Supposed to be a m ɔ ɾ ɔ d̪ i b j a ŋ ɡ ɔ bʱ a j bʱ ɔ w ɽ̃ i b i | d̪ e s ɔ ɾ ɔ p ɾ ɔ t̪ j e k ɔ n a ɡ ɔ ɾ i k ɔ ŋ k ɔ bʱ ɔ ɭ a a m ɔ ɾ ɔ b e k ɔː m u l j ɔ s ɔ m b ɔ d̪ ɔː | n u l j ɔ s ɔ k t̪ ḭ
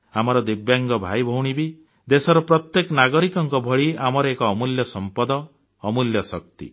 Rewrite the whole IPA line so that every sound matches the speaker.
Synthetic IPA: a m ɔ ɾ ɔ d̪ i b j a ŋ ɡ ɔ bʱ a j bʱ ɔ w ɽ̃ i b i | d̪ e s ɔ ɾ ɔ p ɾ ɔ t̪ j e k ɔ n a ɡ ɔ ɾ i k ɔ ŋ k ɔ bʱ ɔ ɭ i a m ɔ ɾ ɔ e k ɔː m u l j ɔ s ɔ m p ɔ d̪ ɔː | m u l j ɔ s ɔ k t̪ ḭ